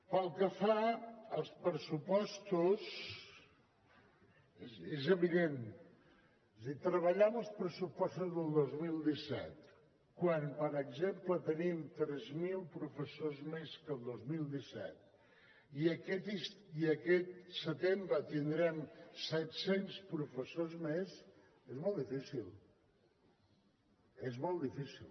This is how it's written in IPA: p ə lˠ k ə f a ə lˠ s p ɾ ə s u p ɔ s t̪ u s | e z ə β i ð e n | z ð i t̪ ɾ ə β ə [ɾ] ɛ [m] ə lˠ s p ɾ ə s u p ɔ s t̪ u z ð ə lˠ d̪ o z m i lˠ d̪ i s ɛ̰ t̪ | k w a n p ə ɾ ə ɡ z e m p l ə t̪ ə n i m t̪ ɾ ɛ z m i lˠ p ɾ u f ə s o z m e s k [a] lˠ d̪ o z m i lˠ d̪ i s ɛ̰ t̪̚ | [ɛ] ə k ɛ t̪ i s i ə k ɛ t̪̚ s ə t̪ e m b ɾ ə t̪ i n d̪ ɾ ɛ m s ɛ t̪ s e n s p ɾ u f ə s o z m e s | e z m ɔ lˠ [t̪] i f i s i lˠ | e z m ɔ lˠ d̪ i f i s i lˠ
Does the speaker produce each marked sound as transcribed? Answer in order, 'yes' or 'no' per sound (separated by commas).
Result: no, yes, no, no, no